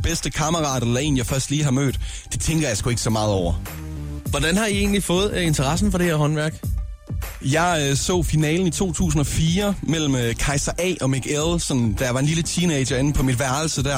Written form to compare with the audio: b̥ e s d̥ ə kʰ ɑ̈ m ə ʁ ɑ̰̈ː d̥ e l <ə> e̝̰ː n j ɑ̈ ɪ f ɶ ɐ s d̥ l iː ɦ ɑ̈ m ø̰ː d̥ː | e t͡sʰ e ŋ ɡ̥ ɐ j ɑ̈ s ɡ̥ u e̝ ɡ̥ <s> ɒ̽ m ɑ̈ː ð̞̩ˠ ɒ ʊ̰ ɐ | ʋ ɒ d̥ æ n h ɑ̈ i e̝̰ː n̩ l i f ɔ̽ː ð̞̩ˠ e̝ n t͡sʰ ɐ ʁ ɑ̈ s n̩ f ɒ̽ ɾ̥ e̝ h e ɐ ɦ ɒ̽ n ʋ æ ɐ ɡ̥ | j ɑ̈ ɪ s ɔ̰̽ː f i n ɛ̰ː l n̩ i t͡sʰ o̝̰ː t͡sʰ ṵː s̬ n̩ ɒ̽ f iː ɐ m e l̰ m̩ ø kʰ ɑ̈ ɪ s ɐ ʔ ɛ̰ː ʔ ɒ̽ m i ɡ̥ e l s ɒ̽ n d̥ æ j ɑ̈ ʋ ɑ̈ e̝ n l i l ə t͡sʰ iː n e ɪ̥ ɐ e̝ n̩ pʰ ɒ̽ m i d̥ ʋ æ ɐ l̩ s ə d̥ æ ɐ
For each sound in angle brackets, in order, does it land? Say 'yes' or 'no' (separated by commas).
no, yes